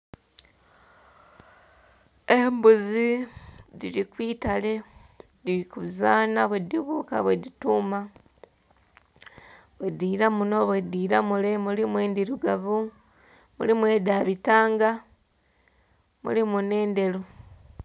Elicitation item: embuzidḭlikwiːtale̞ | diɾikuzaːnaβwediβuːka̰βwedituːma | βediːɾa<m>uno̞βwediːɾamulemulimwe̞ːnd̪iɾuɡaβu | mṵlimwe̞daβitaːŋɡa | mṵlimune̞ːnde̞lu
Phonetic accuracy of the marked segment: correct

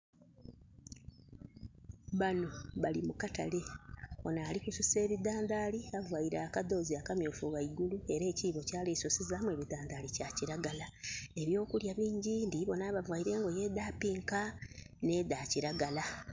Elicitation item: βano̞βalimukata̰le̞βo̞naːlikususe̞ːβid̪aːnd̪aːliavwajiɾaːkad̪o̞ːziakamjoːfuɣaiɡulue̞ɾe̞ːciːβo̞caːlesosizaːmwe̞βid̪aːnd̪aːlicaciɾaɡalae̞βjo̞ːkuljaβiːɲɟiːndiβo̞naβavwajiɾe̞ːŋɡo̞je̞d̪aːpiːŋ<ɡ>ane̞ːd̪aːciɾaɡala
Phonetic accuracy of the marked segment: incorrect: k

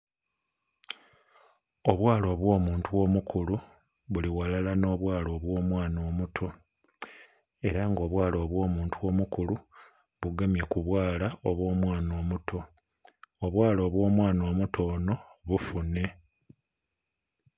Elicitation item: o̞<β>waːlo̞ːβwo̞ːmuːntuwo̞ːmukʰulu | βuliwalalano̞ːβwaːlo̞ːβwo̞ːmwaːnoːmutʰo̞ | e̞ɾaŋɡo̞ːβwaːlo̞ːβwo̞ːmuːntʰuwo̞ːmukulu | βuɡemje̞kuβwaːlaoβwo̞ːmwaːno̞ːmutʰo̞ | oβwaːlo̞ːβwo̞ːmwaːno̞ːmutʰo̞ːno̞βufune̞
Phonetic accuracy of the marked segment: correct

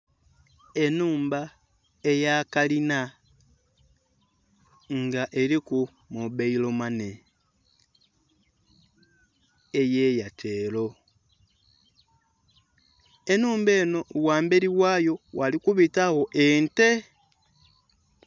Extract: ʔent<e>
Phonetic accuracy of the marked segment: correct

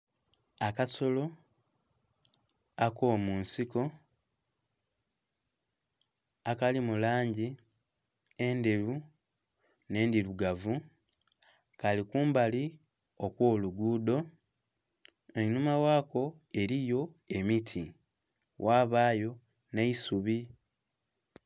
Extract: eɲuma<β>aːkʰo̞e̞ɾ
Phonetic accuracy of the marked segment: incorrect: w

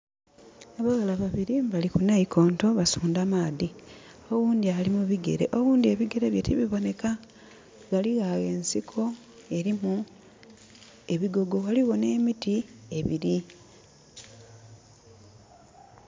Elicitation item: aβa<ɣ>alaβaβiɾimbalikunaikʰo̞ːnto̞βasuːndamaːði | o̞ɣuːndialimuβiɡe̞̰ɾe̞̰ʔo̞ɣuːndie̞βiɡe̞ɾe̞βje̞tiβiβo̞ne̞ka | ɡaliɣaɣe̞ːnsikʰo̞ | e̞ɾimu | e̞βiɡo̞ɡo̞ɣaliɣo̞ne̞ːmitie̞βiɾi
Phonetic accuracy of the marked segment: correct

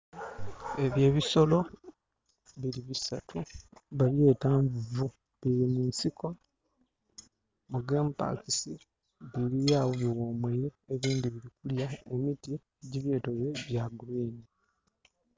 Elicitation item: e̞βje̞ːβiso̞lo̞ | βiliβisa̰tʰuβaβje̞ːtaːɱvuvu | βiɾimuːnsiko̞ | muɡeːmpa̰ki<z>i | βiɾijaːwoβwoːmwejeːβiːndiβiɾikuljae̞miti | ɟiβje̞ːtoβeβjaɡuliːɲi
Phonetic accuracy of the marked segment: incorrect: s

